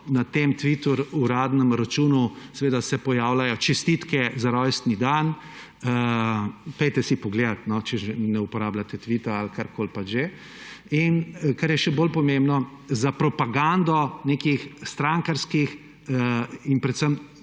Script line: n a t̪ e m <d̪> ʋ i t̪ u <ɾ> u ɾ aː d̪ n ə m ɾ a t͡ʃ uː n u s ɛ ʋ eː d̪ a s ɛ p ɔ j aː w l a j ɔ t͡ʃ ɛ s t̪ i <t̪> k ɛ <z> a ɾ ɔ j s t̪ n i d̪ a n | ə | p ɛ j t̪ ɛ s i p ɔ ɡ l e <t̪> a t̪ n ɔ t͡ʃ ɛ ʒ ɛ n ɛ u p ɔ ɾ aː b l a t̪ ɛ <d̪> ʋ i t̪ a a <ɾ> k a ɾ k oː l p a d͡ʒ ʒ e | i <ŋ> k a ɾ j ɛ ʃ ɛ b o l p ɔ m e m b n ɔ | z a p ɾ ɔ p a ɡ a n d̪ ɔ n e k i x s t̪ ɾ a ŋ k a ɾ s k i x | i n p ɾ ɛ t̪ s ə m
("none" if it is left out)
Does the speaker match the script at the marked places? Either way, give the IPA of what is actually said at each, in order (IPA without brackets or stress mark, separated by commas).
t̪, ɾ, t̪, z, d̪, t̪, l, n